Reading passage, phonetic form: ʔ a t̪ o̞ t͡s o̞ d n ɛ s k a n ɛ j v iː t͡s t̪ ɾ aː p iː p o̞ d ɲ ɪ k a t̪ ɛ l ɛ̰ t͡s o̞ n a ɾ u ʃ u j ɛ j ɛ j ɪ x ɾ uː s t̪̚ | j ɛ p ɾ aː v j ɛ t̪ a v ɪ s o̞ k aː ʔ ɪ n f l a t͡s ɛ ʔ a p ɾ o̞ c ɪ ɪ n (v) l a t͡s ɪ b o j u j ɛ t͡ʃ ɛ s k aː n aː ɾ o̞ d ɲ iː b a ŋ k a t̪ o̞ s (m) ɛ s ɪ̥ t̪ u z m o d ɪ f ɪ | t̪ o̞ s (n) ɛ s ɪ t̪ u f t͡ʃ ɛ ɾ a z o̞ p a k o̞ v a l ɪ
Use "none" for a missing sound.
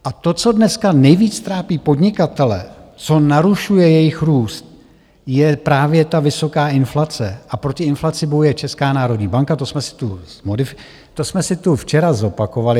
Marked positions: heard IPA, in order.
f, m, m

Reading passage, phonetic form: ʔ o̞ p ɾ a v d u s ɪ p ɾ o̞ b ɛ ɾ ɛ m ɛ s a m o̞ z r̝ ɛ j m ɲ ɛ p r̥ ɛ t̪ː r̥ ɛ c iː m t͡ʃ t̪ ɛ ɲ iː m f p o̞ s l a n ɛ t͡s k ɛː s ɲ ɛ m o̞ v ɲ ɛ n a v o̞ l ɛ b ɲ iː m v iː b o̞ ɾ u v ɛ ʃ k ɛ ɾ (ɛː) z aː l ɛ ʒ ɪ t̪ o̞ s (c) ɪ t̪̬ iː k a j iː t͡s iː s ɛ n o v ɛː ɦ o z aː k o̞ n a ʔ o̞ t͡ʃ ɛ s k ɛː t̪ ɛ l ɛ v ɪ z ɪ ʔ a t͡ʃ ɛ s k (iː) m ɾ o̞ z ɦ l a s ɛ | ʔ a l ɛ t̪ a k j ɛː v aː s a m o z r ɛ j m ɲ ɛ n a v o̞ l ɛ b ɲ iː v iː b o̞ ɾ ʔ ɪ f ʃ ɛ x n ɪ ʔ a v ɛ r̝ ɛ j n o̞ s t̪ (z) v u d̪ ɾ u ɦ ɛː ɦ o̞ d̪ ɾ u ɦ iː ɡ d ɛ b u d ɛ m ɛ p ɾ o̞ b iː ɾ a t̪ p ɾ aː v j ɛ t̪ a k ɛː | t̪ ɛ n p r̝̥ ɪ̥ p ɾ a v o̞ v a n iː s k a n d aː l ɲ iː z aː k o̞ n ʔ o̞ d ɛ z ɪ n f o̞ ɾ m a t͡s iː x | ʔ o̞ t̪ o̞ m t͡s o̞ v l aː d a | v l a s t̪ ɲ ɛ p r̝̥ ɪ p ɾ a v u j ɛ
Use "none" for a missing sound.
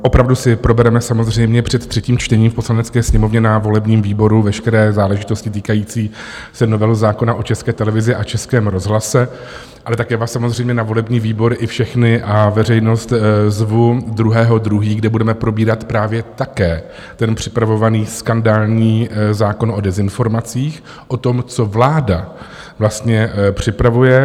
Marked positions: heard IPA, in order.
ɛː, c, ɛː, z

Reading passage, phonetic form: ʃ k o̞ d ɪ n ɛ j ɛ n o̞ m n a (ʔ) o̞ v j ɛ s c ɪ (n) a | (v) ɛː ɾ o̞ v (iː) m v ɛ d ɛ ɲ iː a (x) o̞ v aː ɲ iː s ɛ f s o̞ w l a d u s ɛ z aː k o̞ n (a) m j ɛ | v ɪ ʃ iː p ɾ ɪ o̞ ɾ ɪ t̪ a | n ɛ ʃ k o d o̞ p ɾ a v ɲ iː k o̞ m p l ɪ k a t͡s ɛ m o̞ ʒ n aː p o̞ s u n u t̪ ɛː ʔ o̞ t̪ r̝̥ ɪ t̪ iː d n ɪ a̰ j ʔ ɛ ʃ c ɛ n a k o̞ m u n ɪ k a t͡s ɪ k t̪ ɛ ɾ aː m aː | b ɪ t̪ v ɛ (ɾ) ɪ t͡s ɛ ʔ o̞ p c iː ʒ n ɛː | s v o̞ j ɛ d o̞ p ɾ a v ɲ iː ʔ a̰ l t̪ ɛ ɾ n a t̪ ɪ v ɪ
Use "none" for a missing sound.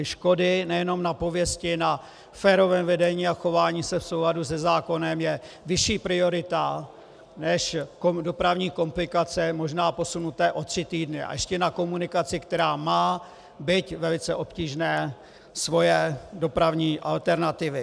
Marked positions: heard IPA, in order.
p, n, f, ɛː, x, ɛ, l

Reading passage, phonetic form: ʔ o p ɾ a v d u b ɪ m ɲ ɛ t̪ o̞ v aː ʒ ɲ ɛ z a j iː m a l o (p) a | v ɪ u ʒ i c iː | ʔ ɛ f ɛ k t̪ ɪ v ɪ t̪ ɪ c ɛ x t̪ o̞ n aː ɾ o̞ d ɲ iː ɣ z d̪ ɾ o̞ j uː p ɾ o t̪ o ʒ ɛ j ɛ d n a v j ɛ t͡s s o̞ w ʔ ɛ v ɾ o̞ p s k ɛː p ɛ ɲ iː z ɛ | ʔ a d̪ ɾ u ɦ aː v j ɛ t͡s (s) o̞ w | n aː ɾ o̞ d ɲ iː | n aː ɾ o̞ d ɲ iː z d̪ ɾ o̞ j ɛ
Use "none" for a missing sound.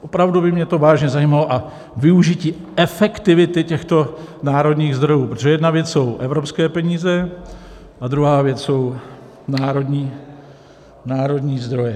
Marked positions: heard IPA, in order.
ʔ, s

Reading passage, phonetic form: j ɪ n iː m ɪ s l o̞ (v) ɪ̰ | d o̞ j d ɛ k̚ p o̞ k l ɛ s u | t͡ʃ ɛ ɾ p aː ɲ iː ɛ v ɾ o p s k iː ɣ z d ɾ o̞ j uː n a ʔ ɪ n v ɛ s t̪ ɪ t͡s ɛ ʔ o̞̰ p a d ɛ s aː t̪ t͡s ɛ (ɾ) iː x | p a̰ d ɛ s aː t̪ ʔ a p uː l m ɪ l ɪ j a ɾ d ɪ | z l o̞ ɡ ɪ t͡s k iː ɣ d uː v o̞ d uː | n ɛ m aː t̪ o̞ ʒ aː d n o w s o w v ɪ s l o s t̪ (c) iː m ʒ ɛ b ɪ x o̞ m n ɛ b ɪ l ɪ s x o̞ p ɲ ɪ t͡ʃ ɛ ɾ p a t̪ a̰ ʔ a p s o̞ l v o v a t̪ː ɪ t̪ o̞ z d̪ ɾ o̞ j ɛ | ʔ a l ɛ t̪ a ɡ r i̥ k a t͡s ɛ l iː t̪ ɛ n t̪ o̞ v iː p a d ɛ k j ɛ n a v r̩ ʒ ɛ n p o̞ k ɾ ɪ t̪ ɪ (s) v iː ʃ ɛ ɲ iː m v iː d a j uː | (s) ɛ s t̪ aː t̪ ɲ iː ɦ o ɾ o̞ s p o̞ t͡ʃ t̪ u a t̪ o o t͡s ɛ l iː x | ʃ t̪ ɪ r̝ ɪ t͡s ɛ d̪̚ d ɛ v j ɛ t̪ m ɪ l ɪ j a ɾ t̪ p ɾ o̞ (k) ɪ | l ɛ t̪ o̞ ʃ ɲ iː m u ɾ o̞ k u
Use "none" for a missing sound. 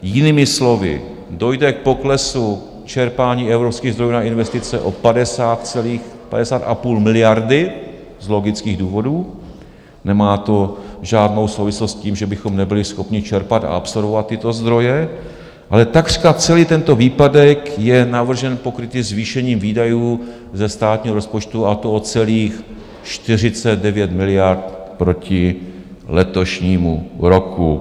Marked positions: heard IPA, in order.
v, l, c, z, z, c

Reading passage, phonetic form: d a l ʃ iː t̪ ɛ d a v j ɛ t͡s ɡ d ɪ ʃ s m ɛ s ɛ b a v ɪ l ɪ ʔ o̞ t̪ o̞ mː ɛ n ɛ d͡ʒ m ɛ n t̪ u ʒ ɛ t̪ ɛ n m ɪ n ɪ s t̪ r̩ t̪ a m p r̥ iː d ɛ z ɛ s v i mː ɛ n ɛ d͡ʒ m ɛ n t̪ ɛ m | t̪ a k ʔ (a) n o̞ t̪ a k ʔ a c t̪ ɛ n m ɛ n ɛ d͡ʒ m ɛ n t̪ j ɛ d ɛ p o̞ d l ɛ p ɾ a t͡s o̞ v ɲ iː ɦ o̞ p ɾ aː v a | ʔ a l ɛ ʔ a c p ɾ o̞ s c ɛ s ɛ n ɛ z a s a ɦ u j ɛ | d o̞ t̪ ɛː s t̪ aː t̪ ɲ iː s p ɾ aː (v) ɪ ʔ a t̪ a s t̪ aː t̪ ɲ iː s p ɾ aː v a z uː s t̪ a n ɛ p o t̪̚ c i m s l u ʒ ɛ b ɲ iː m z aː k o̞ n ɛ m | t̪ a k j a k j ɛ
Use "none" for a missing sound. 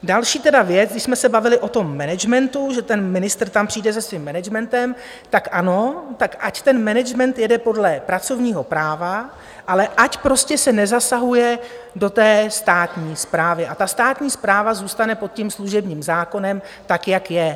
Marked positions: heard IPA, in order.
a, v

